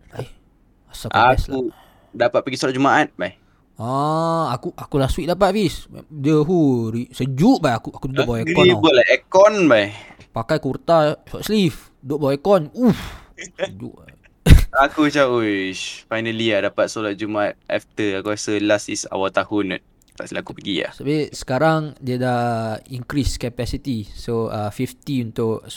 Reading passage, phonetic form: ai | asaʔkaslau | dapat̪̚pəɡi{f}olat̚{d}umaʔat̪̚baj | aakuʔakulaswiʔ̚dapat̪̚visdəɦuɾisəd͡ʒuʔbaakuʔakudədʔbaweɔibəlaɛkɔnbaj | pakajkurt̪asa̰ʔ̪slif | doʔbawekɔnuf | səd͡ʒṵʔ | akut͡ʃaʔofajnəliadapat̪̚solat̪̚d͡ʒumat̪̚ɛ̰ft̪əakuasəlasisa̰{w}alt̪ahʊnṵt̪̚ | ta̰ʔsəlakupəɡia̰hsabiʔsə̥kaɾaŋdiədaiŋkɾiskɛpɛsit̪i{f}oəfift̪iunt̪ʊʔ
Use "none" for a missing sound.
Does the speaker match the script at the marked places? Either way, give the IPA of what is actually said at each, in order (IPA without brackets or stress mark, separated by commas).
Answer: s, d͡ʒ, w, s